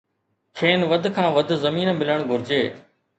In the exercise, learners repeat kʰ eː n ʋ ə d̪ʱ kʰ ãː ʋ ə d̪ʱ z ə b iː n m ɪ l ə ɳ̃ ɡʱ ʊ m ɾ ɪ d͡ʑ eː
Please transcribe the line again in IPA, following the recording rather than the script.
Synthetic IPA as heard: kʰ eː n ʋ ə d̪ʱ kʰ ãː ʋ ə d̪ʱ z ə m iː n m ɪ l ə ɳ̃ ɡʱ ʊ ɾ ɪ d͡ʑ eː

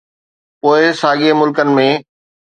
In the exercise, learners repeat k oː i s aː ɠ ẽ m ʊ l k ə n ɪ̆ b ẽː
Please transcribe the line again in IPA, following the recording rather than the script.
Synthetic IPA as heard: p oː ɪ s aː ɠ e m ʊ l k ə n ɪ̆ m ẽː

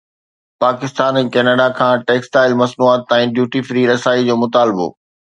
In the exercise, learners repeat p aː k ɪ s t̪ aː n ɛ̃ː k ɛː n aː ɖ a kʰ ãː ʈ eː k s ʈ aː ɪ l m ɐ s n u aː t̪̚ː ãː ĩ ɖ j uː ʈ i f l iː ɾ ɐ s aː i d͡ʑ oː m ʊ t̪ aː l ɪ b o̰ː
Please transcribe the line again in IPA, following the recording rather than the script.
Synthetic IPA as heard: p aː k ɪ s t̪ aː n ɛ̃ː k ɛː n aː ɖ a kʰ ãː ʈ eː k s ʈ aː ɪ l m ɐ s n u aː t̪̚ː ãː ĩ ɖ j uː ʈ i f ɾ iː ɾ ɐ s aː i d͡ʑ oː m ʊ t̪ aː l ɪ b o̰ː

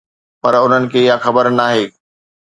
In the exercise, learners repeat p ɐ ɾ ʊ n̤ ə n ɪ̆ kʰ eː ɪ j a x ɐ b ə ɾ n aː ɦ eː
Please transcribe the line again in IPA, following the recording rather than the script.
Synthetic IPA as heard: p ɐ ɾ ʊ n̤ ə n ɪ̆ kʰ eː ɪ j a x ɐ b ə ɾ n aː ɦ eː

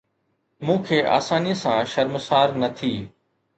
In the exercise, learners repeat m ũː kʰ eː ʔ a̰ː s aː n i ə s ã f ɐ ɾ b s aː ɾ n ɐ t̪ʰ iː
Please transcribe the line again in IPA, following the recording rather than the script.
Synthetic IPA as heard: m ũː kʰ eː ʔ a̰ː s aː n i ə s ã ʃ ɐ ɾ m s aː ɾ n ɐ t̪ʰ iː

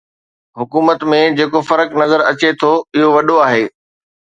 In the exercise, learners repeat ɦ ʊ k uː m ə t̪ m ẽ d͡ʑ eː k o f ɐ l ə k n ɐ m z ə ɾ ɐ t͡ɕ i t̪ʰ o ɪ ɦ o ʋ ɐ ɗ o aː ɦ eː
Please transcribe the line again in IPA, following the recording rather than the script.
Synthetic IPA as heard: ɦ ʊ k uː m ə t̪ m ẽ d͡ʑ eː k o f ɐ ɾ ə k n ɐ z ə ɾ ɐ t͡ɕ e t̪ʰ o ɪ ɦ o ʋ ɐ ɗ o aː ɦ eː

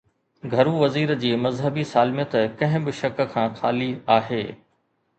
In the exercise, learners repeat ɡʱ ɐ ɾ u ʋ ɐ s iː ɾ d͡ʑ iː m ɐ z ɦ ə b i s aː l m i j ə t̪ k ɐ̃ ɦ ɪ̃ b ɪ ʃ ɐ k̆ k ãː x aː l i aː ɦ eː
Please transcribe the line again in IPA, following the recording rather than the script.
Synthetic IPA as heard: ɡʱ ɐ ɾ u ʋ ɐ z iː ɾ d͡ʑ iː m ɐ z ɦ ə b i s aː l m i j ə t̪ k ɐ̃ ɦ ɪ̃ b ɪ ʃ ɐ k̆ kʰ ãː x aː l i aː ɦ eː

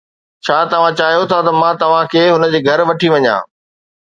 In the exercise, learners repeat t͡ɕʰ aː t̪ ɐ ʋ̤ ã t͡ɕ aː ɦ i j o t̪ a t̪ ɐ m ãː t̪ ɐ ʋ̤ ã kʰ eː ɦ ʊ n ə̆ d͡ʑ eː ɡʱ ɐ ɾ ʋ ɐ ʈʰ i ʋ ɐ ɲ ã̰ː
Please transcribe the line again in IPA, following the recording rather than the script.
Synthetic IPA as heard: t͡ɕʰ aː t̪ ɐ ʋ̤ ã t͡ɕ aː ɦ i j o t̪ʰ a t̪ ɐ m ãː t̪ ɐ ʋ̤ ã kʰ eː ɦ ʊ n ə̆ d͡ʑ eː ɡʱ ɐ ɾ ʋ ɐ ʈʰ i ʋ ɐ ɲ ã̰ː

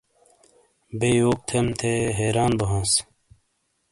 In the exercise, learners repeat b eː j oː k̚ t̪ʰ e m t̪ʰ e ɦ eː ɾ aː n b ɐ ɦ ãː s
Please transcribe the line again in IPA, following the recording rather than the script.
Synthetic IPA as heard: b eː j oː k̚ t̪ʰ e m t̪ʰ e ɦ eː ɾ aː n b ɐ ɦ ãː s

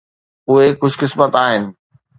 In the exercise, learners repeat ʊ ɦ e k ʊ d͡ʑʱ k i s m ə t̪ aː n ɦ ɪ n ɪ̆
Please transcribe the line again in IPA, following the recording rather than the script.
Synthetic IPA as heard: ʊ ɦ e k ʊ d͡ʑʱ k ɪ s m ə t̪ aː ɦ ɪ n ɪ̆

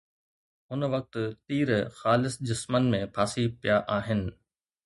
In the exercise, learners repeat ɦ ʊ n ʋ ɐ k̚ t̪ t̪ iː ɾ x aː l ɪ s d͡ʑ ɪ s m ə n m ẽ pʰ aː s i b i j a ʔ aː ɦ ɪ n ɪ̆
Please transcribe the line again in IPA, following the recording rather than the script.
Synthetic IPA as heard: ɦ ʊ n ʋ ɐ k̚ t̪ t̪ iː ɾ x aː l ɪ s d͡ʑ ɪ s m ə n m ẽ pʰ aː s i p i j a ʔ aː ɦ ɪ n ɪ̆

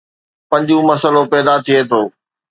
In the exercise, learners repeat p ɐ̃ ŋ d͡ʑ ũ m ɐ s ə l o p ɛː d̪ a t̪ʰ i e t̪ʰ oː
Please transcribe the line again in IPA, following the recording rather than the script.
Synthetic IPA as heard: p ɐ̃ ɲ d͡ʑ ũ m ɐ s ə l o p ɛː d̪ a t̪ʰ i e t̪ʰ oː

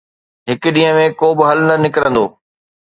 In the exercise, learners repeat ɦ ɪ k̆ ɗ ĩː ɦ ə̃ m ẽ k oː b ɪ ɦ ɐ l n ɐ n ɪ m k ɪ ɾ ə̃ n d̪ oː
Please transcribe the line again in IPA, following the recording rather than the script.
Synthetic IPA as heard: ɦ ɪ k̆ ɗ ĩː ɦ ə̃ m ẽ k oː b ɪ ɦ ɐ l n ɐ n ɪ k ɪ ɾ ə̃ n d̪ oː

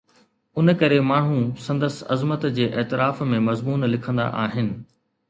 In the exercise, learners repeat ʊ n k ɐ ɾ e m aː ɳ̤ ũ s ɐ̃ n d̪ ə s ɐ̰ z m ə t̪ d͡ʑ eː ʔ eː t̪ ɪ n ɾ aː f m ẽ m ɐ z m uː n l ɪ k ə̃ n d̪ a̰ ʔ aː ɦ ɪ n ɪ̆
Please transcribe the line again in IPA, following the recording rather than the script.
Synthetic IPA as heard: ʊ n k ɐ ɾ e m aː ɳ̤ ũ s ɐ̃ n d̪ ə s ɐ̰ z m ə t̪ d͡ʑ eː ʔ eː t̪ ɪ ɾ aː f m ẽ m ɐ z m uː n l ɪ kʰ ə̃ n d̪ a̰ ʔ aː ɦ ɪ n ɪ̆

